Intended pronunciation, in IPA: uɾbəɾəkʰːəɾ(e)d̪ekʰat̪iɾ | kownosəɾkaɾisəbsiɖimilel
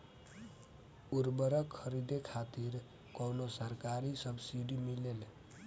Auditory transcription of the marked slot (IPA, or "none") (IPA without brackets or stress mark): i